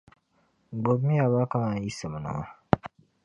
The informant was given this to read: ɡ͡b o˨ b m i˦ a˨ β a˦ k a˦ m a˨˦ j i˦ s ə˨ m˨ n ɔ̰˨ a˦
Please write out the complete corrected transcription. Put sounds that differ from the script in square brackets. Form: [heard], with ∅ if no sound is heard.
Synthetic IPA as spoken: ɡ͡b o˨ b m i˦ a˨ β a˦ k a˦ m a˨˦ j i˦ s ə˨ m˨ n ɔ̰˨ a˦